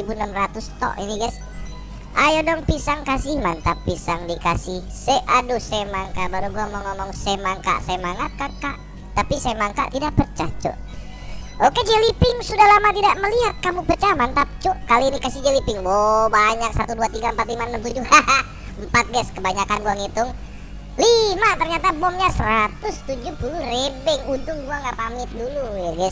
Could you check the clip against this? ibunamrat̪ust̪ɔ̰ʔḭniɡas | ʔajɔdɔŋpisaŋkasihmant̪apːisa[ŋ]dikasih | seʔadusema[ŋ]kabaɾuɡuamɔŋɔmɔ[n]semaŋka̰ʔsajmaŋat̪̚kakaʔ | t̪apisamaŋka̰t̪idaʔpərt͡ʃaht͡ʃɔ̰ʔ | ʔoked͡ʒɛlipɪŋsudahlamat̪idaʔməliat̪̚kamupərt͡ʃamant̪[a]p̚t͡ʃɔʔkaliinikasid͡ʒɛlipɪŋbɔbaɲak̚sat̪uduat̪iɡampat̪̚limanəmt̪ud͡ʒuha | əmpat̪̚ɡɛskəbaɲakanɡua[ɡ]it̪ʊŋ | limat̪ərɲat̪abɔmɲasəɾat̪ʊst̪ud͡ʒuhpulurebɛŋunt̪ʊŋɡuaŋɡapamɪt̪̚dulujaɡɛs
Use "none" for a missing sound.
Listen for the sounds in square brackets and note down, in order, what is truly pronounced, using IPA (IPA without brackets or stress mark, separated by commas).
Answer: ŋ, ŋ, ŋ, a, ŋ